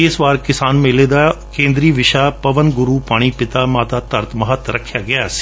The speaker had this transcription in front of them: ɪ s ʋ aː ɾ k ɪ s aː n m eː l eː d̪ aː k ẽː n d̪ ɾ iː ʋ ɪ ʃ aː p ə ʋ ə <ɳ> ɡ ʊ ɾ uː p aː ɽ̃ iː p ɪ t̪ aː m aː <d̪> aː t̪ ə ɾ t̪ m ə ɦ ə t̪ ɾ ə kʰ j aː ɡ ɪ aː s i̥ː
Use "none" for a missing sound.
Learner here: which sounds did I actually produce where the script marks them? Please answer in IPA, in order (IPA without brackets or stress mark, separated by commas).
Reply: n, t̪